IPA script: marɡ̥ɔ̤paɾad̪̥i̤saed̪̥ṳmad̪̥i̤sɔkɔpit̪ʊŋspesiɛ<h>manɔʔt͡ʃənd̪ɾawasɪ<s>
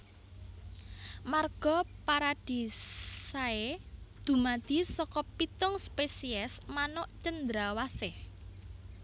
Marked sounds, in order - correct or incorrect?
incorrect: s, incorrect: h

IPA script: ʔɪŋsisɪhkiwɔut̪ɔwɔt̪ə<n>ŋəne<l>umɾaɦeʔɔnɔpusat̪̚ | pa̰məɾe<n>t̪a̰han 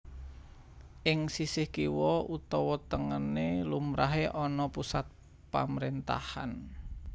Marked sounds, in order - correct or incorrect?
incorrect: none, correct, correct

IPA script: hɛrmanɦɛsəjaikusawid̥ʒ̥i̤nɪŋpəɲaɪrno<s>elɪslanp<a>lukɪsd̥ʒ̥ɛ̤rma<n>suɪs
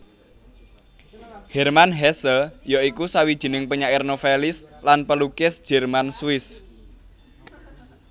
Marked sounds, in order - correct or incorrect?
incorrect: f, incorrect: ə, correct

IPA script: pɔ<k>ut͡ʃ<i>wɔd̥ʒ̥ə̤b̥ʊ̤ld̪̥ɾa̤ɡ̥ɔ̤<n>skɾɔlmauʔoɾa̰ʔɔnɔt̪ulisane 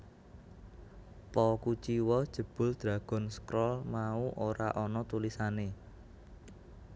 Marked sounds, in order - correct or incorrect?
correct, correct, correct

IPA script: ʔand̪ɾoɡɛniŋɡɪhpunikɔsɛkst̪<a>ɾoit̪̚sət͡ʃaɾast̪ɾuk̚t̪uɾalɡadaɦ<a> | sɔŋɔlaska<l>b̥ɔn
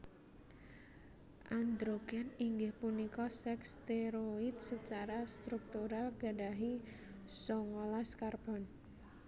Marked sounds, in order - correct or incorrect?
incorrect: e, incorrect: i, incorrect: r

